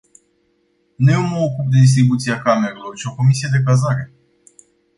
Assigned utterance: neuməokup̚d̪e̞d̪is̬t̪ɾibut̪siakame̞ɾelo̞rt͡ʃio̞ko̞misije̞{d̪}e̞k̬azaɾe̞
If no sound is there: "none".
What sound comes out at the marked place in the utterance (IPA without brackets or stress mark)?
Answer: d̪